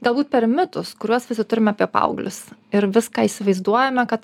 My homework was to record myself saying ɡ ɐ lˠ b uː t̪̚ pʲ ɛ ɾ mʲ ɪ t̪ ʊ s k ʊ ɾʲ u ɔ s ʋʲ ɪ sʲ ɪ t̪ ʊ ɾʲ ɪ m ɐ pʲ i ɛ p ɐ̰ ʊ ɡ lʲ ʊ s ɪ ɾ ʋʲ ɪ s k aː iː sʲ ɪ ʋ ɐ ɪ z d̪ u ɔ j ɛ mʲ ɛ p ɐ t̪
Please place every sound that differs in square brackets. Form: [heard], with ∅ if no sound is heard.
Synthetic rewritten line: ɡ ɐ lˠ b uː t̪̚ pʲ ɛ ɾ mʲ ɪ t̪ ʊ s k ʊ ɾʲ u ɔ s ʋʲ ɪ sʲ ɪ t̪ ʊ ɾʲ ɪ m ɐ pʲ i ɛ p ɐ̰ ʊ ɡ lʲ ʊ s ɪ ɾ ʋʲ ɪ s k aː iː sʲ ɪ ʋ ɐ ɪ z d̪ u ɔ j ɛ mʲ ɛ [k] ɐ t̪